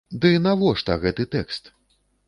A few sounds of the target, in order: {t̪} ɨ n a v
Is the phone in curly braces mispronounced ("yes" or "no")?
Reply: yes